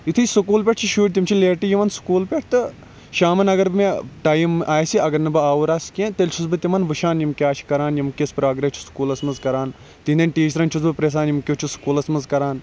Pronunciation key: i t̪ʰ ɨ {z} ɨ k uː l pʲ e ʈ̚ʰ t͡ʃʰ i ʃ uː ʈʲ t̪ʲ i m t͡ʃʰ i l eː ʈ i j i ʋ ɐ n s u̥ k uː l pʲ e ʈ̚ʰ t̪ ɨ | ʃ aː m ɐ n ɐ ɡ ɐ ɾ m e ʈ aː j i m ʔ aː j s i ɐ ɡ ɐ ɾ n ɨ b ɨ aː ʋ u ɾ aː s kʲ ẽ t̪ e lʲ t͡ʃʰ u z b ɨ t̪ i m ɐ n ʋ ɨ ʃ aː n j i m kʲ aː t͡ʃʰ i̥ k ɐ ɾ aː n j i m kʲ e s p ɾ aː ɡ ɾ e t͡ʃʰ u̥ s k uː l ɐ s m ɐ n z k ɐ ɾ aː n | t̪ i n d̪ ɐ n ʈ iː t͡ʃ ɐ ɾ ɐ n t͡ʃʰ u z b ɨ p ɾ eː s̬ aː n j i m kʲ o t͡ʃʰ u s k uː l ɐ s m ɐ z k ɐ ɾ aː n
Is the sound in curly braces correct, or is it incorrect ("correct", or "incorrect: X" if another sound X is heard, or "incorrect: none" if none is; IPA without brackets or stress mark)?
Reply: incorrect: s